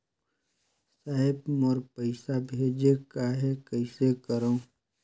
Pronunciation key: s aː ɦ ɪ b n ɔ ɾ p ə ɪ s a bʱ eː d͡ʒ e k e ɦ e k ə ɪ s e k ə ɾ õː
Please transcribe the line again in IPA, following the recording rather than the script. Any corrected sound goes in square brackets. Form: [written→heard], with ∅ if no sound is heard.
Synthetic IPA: s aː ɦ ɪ b [n→m] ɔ ɾ p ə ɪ s a bʱ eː d͡ʒ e k [e→a] ɦ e k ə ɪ s e k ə ɾ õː